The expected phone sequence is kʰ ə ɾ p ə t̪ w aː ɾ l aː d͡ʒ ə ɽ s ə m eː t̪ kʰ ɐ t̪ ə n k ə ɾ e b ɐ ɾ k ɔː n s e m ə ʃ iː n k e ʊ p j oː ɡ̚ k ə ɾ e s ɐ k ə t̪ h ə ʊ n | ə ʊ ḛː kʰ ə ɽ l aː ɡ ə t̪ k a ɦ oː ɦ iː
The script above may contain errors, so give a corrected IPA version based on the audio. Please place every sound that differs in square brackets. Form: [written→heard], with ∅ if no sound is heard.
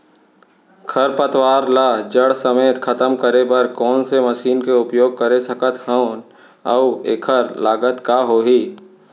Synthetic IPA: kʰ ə ɾ p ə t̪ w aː ɾ l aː d͡ʒ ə ɽ s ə m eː t̪ kʰ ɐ t̪ ə [n→m] k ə ɾ e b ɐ ɾ k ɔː n s e m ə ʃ iː n k e ʊ p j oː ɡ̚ k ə ɾ e s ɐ k ə t̪ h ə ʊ n | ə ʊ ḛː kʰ ə [ɽ→ɾ] l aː ɡ ə t̪ k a ɦ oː ɦ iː